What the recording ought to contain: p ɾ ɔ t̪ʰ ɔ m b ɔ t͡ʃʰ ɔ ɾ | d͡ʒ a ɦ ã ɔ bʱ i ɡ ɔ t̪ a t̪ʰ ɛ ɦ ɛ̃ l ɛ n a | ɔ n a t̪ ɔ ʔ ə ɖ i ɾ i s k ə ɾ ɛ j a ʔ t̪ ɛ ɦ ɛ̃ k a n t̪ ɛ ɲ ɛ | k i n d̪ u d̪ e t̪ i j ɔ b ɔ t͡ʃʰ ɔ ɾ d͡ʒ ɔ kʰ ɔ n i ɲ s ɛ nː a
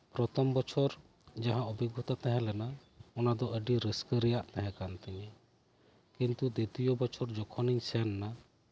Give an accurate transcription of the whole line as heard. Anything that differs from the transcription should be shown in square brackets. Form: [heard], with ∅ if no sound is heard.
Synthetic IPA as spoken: p ɾ ɔ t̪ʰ ɔ m b ɔ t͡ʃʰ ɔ ɾ | d͡ʒ a ɦ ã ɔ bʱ i ɡ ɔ t̪ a [t̪] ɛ ɦ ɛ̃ l ɛ n a | ɔ n a [d̪] ɔ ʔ ə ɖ i ɾ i s k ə ɾ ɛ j a ʔ t̪ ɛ ɦ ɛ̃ k a n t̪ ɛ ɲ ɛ | k i n [t̪] u d̪ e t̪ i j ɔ b ɔ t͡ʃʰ ɔ ɾ d͡ʒ ɔ kʰ ɔ n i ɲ s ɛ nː a

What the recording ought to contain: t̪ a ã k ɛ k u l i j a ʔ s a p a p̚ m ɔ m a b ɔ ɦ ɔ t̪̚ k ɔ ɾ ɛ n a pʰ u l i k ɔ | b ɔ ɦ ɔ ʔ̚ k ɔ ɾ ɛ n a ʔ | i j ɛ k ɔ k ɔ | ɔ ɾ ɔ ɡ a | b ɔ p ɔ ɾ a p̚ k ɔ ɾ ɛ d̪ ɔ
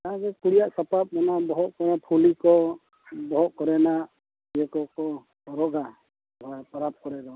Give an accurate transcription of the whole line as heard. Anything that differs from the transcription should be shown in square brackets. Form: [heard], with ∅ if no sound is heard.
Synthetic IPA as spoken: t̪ a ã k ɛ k u [ɽ] i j a ʔ s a p a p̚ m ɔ [n] a b ɔ ɦ ɔ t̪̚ k ɔ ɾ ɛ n a pʰ u l i k ɔ | b ɔ ɦ ɔ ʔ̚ k ɔ ɾ ɛ n a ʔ | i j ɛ k ɔ k ɔ | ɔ ɾ ɔ ɡ a | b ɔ p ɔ ɾ a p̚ k ɔ ɾ ɛ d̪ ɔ

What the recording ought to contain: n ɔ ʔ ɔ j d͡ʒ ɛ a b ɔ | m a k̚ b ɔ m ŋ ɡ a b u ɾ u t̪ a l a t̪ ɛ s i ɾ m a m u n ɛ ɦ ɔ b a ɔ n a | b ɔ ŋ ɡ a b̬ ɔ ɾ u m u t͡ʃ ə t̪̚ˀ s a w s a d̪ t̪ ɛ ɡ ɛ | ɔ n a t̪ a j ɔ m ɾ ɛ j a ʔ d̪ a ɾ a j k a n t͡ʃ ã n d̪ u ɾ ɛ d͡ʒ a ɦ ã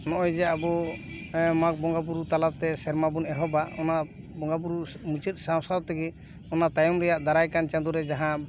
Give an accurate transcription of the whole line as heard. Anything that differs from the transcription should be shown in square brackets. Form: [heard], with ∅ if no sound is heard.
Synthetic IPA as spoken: n ɔ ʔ ɔ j d͡ʒ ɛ a b ɔ | m a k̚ b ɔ [∅] ŋ ɡ a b u ɾ u t̪ a l a t̪ ɛ s [ɛ] ɾ m a [b] u n ɛ ɦ ɔ b a ɔ n a | b ɔ ŋ ɡ a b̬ [u] ɾ u m u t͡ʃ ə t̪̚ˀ s a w s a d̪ t̪ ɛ ɡ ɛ | ɔ n a t̪ a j ɔ m ɾ ɛ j a ʔ d̪ a ɾ a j k a n t͡ʃ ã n d̪ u ɾ ɛ d͡ʒ a ɦ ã

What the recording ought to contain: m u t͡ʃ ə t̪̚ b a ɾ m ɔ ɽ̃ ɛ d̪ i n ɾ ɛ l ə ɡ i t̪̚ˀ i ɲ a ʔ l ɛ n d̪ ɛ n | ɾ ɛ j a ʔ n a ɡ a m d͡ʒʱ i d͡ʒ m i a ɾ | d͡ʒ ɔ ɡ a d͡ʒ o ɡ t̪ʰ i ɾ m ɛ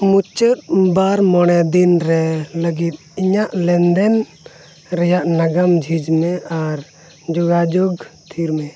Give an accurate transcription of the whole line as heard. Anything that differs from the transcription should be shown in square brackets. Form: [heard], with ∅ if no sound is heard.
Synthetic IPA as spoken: m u t͡ʃ ə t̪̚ b a ɾ m ɔ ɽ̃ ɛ d̪ i n ɾ ɛ l ə ɡ i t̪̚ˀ i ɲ a ʔ l ɛ n d̪ ɛ n | ɾ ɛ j a ʔ n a ɡ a m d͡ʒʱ i d͡ʒ m [ɛ] a ɾ | d͡ʒ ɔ ɡ a d͡ʒ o ɡ t̪ʰ i ɾ m ɛ

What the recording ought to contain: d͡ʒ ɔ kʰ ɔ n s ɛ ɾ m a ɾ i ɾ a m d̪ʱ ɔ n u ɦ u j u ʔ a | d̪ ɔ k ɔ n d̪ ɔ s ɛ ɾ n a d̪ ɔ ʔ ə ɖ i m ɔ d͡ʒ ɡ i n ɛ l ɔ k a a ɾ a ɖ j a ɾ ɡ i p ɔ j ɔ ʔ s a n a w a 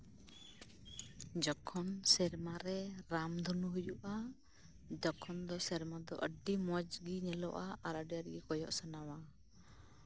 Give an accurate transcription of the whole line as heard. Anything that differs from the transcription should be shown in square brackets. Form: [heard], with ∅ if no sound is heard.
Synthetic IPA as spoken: d͡ʒ ɔ kʰ ɔ n s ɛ ɾ m a ɾ [ɛ] ɾ a m d̪ʱ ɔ n u ɦ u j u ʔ a | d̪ ɔ [kʰ] ɔ n d̪ ɔ s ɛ ɾ [m] a d̪ ɔ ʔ ə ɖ i m ɔ d͡ʒ ɡ i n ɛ l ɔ [ʔ] a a ɾ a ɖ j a ɾ ɡ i [k] ɔ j ɔ ʔ s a n a w a

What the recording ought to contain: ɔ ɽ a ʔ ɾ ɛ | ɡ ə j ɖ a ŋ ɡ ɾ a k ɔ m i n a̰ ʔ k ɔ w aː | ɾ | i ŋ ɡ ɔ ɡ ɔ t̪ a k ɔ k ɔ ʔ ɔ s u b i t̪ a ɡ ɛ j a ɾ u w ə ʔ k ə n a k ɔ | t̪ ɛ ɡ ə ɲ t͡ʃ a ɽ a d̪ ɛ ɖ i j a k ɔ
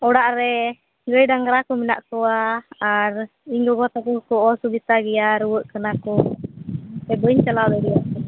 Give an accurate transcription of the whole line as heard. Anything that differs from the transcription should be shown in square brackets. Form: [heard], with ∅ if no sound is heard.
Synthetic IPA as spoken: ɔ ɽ a ʔ ɾ ɛ | ɡ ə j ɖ a ŋ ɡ ɾ a k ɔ m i n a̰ ʔ k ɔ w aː | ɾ | i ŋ ɡ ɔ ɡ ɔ t̪ a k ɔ k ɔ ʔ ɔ s u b i t̪ a ɡ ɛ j a ɾ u w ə ʔ k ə n a k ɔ | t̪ ɛ [b] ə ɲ t͡ʃ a [l] a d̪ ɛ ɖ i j a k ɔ

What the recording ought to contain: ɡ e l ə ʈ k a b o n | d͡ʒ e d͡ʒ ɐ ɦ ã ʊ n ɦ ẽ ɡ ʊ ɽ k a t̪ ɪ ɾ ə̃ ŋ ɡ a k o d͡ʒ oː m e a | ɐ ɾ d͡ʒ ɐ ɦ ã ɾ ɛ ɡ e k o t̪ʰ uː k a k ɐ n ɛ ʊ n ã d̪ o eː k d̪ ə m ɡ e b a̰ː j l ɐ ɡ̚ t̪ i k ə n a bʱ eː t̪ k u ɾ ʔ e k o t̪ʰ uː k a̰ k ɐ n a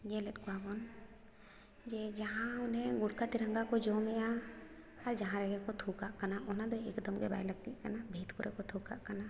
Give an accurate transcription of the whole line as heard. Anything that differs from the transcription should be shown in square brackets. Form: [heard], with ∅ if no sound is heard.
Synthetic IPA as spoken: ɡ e l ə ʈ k a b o n | d͡ʒ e d͡ʒ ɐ ɦ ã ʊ n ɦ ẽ ɡ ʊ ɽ k a t̪ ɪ ɾ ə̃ ŋ ɡ a k o d͡ʒ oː m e a | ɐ ɾ d͡ʒ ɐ ɦ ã ɾ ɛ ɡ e k o t̪ʰ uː k a k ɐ n [a] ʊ n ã d̪ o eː k d̪ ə m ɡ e b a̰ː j l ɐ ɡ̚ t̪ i k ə n a bʱ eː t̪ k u ɾ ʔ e k o t̪ʰ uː k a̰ k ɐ n a

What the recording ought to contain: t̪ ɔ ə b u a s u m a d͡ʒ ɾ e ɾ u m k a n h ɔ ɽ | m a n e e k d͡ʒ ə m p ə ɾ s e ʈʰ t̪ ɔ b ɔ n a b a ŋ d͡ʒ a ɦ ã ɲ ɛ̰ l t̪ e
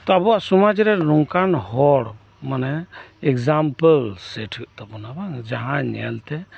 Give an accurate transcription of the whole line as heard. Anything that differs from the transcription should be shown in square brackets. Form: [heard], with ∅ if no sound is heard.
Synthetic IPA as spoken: t̪ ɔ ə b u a s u m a d͡ʒ ɾ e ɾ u [ŋ] k a n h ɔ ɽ | m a n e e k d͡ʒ [a] m p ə [l] s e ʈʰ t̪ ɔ b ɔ n a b a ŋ d͡ʒ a ɦ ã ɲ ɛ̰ l t̪ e

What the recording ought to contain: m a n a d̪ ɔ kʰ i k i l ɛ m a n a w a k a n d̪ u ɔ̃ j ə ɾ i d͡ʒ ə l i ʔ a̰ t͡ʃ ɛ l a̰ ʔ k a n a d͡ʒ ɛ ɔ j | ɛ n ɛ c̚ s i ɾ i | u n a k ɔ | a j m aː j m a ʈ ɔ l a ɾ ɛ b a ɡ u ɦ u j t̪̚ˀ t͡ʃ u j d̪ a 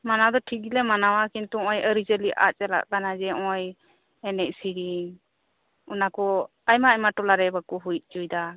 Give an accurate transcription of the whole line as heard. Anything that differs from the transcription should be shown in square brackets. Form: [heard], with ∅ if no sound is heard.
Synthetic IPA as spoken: m a n a d̪ ɔ [ʈʰ] i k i l ɛ m a n a w a k [i] n [t̪] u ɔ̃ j ə ɾ i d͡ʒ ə l i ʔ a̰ t͡ʃ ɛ l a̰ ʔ k a n a d͡ʒ ɛ ɔ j | ɛ n ɛ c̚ s i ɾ i | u n a k ɔ | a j m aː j m a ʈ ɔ l a ɾ ɛ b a [k] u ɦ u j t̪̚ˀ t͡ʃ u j d̪ a

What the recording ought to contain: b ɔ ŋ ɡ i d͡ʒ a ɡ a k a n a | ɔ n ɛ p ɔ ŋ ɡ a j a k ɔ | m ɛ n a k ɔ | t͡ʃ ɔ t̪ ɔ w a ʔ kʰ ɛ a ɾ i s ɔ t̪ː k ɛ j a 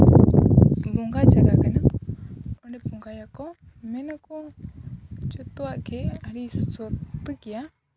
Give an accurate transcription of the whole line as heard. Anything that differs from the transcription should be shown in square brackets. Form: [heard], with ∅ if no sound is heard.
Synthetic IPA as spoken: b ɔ ŋ ɡ [a] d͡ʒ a ɡ a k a n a | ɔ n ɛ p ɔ ŋ ɡ a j a k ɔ | m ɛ n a k ɔ | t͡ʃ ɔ t̪ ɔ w a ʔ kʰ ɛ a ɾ i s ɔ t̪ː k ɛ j a

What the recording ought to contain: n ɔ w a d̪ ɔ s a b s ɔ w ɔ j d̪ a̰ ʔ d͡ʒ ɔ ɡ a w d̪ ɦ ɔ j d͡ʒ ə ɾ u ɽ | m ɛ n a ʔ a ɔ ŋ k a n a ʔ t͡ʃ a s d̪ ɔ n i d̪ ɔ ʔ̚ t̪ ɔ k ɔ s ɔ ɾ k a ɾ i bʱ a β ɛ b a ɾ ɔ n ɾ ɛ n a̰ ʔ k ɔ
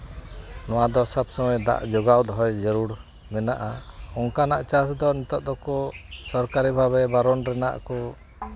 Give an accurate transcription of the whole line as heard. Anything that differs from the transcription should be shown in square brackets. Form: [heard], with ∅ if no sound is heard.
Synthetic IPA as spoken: n ɔ w a d̪ ɔ s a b s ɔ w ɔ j d̪ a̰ ʔ d͡ʒ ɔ ɡ a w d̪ ɦ ɔ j d͡ʒ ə ɾ u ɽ | m ɛ n a ʔ a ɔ ŋ k a n a ʔ t͡ʃ a s d̪ ɔ n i [t̪] ɔ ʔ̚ [d̪] ɔ k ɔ s ɔ ɾ k a ɾ i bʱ a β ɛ b a ɾ ɔ n ɾ ɛ n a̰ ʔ k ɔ

